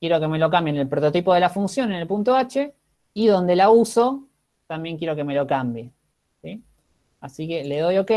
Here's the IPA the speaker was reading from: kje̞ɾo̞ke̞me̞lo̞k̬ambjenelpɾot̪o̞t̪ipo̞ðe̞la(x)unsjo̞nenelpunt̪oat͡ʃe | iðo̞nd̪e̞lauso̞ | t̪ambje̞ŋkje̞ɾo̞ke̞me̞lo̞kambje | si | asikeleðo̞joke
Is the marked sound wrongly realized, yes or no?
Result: yes